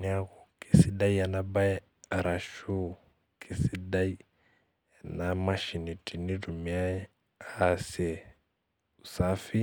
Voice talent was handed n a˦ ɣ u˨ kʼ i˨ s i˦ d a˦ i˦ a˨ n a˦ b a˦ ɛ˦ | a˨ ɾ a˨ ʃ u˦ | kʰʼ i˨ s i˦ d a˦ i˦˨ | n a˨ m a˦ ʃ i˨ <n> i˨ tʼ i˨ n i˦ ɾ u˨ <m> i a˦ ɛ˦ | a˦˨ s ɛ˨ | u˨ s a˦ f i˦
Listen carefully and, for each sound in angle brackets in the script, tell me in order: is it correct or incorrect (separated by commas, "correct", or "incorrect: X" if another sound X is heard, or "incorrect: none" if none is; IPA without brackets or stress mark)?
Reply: correct, correct